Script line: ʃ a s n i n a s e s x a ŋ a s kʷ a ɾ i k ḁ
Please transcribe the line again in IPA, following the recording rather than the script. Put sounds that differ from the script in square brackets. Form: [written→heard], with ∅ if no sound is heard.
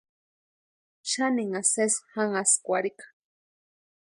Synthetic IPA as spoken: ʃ a [s→∅] n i [n→ŋ] a s e s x a ŋ a s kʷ a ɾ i k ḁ